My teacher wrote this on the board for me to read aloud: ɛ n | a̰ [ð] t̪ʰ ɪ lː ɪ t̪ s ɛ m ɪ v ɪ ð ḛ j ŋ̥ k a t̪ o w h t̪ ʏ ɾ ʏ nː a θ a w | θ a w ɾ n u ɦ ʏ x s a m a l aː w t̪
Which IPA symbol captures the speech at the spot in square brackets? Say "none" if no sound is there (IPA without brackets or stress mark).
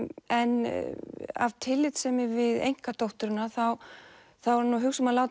v